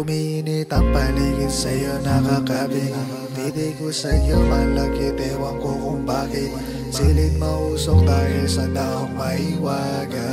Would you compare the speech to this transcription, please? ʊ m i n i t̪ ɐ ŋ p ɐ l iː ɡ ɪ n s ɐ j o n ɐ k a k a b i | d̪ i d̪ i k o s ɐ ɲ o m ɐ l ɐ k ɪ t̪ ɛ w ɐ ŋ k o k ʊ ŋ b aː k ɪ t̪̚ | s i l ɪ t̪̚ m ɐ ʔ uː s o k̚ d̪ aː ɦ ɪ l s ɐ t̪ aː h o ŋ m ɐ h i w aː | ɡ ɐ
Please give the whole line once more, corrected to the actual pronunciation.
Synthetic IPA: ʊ m i n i t̪ ɐ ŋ p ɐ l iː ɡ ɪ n s ɐ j o n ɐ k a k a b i | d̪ i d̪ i k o s ɐ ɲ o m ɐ l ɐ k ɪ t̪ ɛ w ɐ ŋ k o k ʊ ŋ b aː k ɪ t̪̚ | s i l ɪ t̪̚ m ɐ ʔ uː s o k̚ d̪ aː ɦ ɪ l s ɐ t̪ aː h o ŋ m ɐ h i w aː | ɡ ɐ